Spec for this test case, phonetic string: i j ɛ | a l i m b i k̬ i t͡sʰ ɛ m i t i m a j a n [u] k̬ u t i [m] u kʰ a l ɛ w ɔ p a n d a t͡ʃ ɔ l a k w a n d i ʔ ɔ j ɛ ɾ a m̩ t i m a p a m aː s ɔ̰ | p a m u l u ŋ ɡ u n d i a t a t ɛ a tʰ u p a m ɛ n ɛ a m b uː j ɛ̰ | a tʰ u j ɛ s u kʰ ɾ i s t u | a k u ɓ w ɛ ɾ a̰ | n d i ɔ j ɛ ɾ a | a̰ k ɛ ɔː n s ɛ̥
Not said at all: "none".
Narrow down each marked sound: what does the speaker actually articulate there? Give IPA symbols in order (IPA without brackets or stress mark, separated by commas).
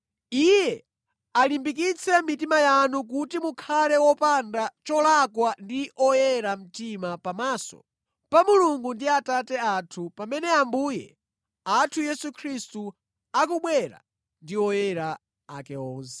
u, m